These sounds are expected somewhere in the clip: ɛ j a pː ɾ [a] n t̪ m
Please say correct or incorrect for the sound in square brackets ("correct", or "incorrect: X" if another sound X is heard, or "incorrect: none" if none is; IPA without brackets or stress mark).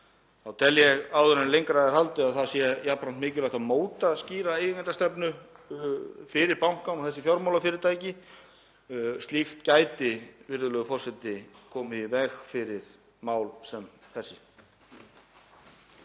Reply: correct